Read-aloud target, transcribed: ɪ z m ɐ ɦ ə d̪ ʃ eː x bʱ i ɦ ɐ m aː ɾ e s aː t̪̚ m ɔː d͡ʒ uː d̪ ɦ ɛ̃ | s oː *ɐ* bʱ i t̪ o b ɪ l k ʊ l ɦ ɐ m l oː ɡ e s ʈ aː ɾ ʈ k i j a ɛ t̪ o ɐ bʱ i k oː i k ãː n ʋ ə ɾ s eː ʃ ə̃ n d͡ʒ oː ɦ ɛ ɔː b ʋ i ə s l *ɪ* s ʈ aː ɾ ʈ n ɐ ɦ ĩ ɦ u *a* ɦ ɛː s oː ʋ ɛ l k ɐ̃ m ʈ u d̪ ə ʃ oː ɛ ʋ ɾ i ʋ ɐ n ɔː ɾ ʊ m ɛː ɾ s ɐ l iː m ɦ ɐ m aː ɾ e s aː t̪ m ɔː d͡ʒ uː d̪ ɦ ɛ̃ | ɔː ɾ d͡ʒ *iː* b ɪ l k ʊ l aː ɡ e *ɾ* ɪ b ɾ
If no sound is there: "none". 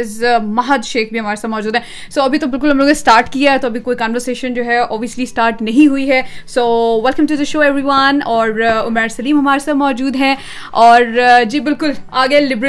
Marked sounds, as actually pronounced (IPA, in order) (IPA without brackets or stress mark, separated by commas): ɐ, i, i, iː, l